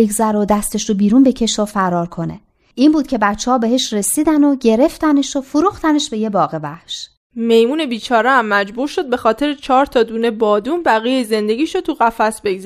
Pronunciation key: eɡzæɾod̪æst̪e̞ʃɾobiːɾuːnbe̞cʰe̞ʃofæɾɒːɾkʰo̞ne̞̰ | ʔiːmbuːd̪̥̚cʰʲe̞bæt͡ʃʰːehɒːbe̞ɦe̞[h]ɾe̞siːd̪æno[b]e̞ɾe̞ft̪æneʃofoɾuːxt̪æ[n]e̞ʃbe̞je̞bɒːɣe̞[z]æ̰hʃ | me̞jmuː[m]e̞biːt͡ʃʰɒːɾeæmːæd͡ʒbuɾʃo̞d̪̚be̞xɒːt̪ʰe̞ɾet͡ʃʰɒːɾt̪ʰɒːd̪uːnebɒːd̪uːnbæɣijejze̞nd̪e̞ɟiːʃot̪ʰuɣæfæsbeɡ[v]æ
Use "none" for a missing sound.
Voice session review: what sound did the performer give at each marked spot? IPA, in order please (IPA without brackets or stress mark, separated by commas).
ʃ, ɟ, n, v, n, z